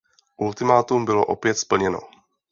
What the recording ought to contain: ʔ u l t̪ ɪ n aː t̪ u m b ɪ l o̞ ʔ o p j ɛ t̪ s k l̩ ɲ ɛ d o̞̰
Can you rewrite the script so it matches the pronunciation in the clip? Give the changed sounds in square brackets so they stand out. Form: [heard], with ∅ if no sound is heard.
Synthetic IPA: ʔ u l t̪ ɪ [m] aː t̪ u m b ɪ l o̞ ʔ o p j ɛ t̪ s [p] l̩ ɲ ɛ [n] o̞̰